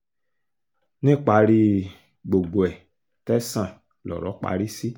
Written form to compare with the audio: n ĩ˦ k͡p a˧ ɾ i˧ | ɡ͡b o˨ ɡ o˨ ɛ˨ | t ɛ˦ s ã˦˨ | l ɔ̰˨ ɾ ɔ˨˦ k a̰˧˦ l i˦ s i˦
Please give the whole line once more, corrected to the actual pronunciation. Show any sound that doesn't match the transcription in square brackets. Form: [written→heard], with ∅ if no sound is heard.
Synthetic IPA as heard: n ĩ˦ k͡p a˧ ɾ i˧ | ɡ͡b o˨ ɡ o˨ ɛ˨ | t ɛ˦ s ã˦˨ | l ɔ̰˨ ɾ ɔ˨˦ [k→k͡p] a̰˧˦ [l→ɾ] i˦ s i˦